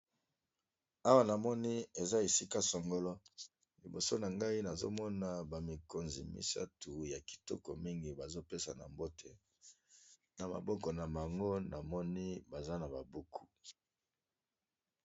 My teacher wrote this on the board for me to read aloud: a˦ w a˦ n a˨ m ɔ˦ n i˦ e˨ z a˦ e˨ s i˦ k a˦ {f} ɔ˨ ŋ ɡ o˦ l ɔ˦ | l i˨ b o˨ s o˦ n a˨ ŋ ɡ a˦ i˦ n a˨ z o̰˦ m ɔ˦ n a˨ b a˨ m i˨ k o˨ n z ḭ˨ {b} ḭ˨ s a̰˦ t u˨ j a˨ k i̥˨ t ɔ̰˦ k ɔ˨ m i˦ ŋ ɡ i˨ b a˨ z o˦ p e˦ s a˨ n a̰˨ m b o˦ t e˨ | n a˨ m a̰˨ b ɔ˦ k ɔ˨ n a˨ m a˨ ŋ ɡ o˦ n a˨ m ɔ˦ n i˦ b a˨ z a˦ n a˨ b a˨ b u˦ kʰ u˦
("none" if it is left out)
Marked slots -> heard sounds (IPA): s, m

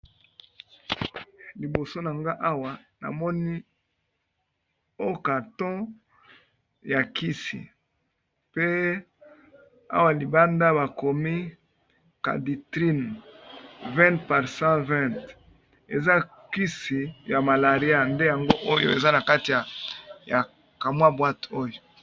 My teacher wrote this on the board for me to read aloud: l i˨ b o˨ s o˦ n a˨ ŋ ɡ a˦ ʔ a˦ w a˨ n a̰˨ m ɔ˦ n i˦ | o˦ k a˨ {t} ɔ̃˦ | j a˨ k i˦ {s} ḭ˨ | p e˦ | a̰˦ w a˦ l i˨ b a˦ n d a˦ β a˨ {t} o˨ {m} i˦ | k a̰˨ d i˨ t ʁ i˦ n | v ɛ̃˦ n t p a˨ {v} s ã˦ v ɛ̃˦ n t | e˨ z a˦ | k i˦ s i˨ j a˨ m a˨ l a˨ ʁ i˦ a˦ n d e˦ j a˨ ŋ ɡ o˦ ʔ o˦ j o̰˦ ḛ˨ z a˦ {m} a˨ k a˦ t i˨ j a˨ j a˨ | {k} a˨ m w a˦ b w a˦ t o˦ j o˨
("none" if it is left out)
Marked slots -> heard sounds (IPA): t, s, k, m, ʁ, n, k

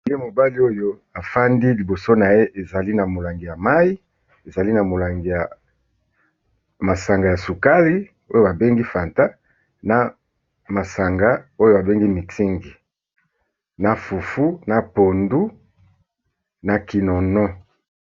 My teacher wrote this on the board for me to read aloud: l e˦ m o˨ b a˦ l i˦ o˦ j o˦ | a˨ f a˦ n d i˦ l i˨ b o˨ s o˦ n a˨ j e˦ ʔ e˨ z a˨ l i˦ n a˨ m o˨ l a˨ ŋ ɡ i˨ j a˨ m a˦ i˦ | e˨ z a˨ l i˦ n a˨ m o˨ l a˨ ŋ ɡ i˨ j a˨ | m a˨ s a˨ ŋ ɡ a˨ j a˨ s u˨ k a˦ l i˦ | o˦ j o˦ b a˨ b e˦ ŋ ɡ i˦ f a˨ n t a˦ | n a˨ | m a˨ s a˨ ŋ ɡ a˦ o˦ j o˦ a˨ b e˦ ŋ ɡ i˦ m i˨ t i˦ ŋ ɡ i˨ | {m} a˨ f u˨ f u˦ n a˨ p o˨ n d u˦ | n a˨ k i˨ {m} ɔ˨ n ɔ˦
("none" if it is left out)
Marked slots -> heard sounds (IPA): n, n

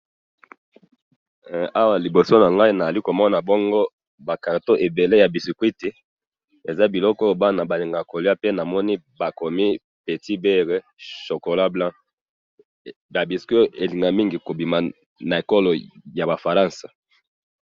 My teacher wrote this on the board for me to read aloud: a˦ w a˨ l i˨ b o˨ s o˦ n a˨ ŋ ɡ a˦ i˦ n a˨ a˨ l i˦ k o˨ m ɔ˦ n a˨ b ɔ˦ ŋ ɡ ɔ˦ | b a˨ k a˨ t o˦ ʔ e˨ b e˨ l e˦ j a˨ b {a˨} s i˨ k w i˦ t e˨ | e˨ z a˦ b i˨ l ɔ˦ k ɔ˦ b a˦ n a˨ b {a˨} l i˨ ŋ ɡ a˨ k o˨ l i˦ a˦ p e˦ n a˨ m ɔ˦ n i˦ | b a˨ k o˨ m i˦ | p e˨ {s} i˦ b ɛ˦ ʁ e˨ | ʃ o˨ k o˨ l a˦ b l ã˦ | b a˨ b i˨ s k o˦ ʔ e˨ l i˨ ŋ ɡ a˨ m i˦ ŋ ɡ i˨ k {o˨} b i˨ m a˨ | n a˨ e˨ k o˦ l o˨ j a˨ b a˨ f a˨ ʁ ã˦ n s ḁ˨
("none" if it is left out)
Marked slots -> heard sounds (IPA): i˨, a˨, t, o˨

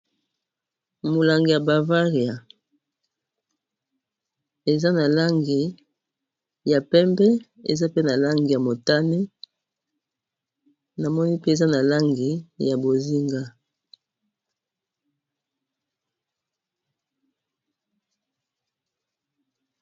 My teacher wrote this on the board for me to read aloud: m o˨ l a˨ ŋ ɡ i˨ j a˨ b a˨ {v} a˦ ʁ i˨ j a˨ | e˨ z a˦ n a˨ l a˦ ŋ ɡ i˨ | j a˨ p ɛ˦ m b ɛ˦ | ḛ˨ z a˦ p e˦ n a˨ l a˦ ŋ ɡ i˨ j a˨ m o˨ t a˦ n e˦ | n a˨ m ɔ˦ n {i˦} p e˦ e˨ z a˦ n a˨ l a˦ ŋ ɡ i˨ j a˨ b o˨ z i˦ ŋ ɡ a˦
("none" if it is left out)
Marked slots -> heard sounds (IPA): v, i˦

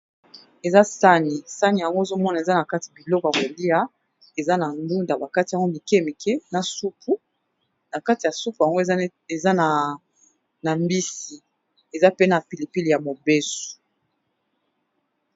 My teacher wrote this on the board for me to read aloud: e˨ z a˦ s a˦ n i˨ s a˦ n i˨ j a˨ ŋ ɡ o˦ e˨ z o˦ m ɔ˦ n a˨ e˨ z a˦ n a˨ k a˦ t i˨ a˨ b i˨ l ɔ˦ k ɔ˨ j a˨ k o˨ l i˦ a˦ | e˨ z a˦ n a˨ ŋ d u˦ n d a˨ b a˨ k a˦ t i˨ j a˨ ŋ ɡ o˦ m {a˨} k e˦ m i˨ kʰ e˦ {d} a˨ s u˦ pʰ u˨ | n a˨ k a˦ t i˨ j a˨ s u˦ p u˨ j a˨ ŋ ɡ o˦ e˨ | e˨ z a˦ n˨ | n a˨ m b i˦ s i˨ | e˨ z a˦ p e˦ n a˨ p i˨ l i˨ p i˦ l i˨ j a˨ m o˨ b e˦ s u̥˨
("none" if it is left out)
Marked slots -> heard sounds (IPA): i˨, n

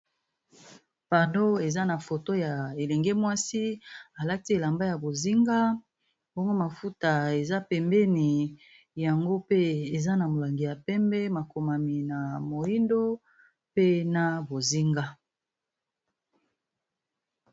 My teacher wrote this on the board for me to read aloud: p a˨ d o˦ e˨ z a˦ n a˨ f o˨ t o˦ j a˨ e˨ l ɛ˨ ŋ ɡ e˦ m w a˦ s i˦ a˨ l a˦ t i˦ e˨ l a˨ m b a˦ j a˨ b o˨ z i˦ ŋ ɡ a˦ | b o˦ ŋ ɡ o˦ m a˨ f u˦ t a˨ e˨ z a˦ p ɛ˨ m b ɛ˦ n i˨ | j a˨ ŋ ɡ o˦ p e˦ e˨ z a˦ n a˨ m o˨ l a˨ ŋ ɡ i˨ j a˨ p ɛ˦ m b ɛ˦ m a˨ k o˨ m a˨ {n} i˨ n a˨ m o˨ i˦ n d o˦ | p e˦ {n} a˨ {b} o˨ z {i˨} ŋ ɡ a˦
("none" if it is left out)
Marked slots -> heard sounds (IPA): m, n, b, i˦

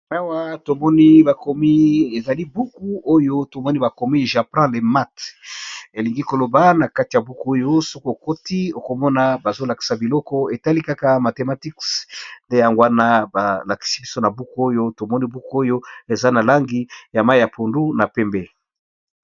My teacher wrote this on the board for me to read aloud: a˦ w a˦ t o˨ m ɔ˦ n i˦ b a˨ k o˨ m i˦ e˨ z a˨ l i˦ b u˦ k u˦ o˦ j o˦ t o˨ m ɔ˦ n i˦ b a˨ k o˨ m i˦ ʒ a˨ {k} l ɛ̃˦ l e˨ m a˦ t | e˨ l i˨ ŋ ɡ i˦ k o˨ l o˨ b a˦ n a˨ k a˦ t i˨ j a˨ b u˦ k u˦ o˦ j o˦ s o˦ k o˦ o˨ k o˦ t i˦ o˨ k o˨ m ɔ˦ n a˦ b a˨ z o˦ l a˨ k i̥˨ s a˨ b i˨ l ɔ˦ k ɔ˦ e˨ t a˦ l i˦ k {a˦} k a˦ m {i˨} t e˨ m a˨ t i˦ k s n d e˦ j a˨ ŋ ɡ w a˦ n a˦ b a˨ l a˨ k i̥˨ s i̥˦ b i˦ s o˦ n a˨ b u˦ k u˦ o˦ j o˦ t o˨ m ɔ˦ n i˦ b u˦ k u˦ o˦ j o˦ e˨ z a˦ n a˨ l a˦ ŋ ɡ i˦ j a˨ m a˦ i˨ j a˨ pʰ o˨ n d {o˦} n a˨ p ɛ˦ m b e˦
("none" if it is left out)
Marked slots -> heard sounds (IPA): p, a˦, a˨, u˦

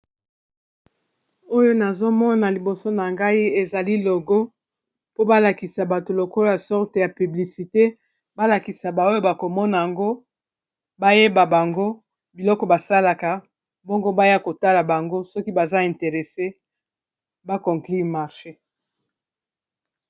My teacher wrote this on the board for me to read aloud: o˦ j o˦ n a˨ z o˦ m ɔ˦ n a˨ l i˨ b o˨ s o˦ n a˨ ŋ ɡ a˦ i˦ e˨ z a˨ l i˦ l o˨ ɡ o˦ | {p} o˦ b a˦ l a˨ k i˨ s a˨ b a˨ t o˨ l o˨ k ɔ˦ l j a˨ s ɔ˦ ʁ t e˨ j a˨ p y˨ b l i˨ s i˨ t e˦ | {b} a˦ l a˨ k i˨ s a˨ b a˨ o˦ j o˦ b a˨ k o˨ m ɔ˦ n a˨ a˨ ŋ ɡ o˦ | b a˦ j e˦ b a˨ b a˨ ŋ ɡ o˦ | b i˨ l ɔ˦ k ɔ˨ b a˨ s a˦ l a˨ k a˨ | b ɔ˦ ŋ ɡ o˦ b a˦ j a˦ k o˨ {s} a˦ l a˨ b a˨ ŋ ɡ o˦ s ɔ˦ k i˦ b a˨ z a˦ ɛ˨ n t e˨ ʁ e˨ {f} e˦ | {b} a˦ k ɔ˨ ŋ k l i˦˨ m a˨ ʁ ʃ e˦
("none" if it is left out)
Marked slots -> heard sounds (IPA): p, b, t, s, b

